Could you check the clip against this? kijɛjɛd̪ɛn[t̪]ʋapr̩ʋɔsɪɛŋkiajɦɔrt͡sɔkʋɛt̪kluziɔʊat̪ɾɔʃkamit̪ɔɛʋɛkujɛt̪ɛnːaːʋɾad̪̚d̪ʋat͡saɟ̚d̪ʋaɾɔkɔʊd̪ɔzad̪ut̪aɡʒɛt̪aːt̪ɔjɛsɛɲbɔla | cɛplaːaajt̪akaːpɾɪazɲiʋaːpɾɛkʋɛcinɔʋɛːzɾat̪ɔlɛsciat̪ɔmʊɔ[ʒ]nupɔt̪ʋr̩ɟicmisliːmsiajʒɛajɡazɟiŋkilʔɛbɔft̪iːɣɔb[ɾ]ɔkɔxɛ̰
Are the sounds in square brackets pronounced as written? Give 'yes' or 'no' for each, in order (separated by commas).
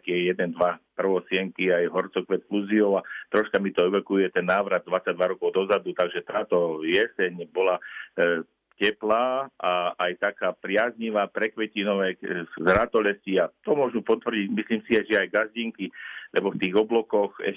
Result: no, yes, no